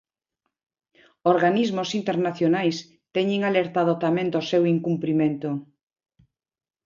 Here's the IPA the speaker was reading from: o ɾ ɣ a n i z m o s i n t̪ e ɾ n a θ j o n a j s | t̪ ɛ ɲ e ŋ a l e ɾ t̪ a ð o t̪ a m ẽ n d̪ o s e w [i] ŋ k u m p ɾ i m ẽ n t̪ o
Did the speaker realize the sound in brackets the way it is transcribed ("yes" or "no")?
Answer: yes